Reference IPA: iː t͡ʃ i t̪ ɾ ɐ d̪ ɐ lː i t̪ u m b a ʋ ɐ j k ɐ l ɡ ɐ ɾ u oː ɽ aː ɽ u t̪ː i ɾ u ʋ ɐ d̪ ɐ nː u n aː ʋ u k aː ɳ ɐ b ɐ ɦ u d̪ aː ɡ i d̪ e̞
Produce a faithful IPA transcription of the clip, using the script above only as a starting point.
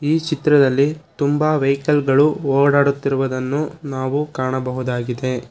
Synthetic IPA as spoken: iː t͡ʃ i t̪ ɾ ɐ d̪ ɐ lː i t̪ u m b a ʋ ɐ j k ɐ l ɡ ɐ ɭ u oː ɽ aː ɽ u t̪ː i ɾ u ʋ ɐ d̪ ɐ nː u n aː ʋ u k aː ɳ ɐ b ɐ ɦ u d̪ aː ɡ i d̪ e̞

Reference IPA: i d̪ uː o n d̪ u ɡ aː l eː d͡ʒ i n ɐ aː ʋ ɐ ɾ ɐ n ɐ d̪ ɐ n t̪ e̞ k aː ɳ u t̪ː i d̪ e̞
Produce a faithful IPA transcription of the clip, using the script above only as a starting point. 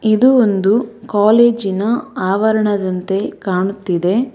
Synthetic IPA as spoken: i d̪ u o n d̪ u k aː l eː d͡ʒ i n ɐ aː ʋ ɐ ɾ ɐ ɳ ɐ d̪ ɐ n t̪ e̞ k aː ɳ u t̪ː i d̪ e̞

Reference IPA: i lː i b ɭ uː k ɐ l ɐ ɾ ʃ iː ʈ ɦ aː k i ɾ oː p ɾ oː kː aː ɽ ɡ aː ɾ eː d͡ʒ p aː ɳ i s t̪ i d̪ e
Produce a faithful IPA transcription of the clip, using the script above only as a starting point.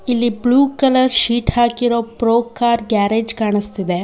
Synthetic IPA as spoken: i lː i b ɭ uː k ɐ l ɐ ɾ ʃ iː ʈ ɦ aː k i ɾ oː p ɾ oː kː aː ɾ ɡ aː ɾ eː d͡ʒ k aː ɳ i s t̪ i d̪ e

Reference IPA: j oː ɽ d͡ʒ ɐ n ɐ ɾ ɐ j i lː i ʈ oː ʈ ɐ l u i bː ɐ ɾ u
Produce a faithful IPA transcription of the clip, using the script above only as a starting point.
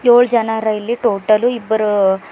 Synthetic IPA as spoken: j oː ɭ d͡ʒ ɐ n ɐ ɾ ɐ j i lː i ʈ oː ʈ ɐ l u i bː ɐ ɾ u

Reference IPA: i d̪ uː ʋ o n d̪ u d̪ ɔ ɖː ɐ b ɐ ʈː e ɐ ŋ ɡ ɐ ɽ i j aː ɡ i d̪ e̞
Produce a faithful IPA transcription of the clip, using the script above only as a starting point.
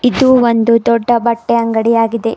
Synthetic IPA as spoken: i d̪ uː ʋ o n d̪ u d̪ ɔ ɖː ɐ b ɐ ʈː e ɐ ŋ ɡ ɐ ɽ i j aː ɡ i d̪ e̞

